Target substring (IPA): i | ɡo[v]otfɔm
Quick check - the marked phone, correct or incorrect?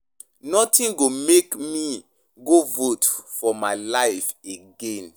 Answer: correct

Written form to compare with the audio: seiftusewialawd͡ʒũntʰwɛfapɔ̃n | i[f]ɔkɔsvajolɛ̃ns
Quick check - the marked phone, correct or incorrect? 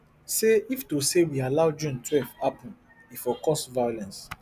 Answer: correct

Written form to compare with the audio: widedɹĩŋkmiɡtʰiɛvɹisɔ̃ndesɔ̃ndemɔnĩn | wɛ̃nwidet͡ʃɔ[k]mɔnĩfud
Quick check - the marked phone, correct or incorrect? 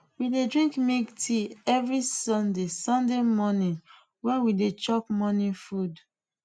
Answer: correct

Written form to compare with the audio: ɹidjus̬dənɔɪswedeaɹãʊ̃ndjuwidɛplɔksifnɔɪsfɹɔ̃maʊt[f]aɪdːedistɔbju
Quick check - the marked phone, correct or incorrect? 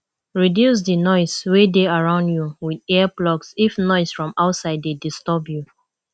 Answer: incorrect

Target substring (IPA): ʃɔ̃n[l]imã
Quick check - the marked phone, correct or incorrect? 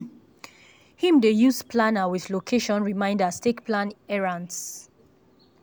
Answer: incorrect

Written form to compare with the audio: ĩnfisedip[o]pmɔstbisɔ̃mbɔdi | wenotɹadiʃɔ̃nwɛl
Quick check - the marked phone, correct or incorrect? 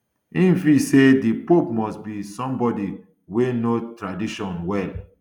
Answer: correct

